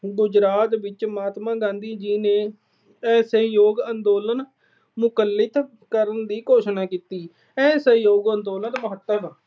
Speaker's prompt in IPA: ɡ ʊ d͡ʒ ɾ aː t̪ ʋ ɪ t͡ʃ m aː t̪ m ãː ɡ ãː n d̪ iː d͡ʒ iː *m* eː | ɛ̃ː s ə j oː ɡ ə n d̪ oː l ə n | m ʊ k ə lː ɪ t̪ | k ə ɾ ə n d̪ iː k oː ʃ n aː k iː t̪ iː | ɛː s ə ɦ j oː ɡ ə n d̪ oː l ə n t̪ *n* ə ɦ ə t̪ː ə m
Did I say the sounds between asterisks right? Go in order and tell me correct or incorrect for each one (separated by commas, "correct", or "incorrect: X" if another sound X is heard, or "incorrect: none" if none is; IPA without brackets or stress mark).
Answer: incorrect: n, incorrect: m